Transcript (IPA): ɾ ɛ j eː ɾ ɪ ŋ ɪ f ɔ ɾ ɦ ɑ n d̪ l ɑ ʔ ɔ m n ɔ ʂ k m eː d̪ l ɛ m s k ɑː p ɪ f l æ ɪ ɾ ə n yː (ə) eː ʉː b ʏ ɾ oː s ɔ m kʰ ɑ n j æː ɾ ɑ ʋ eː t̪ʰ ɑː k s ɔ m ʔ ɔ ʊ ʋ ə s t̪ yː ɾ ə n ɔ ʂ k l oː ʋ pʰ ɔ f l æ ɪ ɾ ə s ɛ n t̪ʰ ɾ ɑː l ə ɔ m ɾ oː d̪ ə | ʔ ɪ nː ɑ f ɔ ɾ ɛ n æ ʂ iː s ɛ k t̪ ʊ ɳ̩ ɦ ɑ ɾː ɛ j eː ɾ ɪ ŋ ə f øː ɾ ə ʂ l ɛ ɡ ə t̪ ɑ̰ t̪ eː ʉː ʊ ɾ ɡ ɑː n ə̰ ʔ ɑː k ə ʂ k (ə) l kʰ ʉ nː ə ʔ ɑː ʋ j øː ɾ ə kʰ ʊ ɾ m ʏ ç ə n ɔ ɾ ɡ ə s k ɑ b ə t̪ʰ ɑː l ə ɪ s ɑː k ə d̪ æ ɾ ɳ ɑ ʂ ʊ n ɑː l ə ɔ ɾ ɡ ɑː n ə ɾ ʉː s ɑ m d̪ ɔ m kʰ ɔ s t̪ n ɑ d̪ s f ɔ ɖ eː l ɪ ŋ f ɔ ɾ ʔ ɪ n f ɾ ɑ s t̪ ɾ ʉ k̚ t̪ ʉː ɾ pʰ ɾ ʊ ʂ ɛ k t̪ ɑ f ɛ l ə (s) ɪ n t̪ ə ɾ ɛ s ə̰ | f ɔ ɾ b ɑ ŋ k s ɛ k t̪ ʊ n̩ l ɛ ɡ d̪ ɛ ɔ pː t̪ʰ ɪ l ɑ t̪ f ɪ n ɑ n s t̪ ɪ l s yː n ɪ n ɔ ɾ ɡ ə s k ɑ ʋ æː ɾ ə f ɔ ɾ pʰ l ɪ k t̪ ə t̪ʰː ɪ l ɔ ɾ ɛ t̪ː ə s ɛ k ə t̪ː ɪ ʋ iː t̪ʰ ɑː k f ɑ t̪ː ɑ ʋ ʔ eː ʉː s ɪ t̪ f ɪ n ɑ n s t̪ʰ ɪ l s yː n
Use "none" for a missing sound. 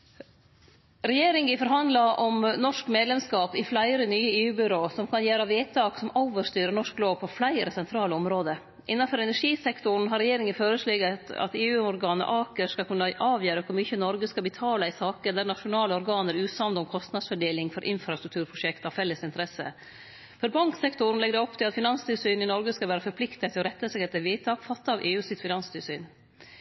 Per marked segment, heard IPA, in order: ə, ɑ, s

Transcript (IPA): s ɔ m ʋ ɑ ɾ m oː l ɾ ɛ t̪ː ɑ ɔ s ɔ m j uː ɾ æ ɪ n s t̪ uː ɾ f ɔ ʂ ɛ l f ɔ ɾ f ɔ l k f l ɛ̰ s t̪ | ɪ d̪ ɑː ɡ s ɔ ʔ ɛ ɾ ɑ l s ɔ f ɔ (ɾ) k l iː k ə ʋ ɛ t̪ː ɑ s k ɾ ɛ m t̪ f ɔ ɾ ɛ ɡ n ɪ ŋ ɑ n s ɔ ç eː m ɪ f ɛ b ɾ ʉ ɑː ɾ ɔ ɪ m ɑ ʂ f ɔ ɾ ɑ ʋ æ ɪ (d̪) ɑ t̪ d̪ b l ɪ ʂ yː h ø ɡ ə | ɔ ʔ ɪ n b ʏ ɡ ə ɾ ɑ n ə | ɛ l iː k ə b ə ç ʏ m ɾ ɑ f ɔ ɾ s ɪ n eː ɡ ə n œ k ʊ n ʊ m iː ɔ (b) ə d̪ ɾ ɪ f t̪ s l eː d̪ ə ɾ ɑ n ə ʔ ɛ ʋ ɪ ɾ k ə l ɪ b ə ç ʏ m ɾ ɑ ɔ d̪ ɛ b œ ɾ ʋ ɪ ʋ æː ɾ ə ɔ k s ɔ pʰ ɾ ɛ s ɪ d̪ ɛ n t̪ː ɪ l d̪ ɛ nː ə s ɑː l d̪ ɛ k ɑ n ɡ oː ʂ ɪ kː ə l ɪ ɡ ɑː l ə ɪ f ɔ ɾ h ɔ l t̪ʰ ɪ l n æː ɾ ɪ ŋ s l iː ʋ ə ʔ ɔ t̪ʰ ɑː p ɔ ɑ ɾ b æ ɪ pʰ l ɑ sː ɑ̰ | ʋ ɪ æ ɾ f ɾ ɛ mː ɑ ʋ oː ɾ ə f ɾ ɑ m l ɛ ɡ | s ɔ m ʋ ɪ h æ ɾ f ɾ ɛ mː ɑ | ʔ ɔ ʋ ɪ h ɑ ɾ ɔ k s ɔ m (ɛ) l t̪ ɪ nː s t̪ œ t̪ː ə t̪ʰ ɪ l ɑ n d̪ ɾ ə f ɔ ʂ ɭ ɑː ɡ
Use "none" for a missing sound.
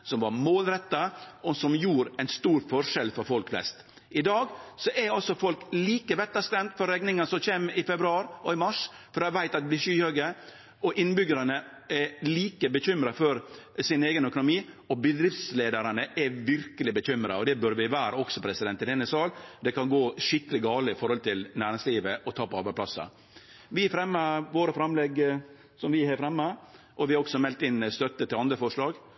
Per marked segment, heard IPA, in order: l, t̪, b, ɛ

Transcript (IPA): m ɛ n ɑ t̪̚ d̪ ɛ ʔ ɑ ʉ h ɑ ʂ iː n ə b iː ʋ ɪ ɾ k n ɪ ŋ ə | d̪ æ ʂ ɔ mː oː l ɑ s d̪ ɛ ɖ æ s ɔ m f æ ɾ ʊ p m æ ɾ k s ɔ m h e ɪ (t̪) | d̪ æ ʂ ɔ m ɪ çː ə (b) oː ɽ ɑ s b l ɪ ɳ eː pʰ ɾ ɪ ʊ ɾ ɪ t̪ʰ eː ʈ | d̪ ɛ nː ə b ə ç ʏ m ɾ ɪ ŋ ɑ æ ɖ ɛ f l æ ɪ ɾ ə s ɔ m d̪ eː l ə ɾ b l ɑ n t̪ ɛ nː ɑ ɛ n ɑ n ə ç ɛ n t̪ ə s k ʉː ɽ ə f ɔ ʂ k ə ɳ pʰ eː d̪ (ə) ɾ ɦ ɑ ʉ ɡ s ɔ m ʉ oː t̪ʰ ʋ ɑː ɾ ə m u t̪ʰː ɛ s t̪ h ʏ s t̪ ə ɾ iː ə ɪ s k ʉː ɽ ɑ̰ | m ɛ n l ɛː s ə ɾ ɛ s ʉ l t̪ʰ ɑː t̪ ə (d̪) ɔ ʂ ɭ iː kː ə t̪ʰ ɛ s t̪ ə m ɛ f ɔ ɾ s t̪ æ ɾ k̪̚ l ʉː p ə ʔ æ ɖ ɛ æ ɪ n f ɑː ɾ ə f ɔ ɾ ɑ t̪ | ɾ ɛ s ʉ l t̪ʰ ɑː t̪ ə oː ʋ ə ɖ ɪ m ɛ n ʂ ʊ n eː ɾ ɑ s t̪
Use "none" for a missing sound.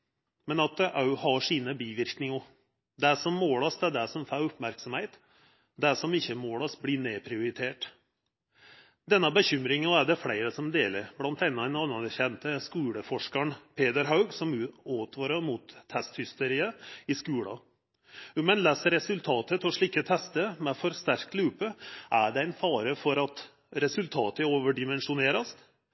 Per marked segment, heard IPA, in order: t̪, m, ə, t̪

